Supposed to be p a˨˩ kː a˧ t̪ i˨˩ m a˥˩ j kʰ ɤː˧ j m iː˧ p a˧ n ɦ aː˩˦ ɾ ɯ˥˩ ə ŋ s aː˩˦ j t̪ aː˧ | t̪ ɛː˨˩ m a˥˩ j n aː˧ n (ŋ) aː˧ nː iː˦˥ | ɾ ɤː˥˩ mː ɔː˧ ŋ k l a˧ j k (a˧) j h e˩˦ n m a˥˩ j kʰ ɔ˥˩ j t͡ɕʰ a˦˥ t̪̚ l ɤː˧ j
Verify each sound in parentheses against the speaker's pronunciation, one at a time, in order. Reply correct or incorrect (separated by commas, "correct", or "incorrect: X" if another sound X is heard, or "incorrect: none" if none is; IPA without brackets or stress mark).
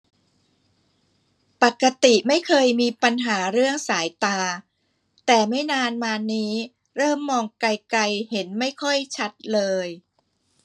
incorrect: m, correct